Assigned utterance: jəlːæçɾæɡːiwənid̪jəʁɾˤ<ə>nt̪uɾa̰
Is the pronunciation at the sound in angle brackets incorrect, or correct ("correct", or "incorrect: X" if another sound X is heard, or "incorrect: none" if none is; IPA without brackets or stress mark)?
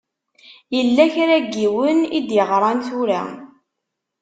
incorrect: ɑ